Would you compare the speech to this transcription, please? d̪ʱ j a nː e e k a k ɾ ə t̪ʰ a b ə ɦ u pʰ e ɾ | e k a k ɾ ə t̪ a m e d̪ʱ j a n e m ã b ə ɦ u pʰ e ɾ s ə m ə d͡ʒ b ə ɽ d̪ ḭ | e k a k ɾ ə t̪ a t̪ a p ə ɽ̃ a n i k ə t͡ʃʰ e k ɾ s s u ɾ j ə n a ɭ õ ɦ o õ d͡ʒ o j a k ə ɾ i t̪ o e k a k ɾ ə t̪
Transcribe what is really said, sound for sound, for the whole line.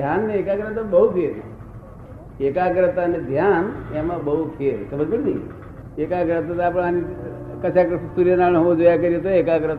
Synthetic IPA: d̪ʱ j a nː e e k a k ɾ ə t̪ a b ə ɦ u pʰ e ɾ | e k a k ɾ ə t̪ a n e d̪ʱ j a n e m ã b ə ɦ u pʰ e ɾ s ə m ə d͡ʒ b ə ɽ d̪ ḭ | e k a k ɾ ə t̪ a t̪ a p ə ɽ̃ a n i k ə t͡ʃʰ a k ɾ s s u ɾ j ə n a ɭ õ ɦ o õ d͡ʒ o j a k ə ɾ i t̪ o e k a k ɾ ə t̪